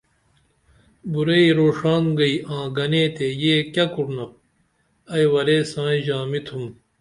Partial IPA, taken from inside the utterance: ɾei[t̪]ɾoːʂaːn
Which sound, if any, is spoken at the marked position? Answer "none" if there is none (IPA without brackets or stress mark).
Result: none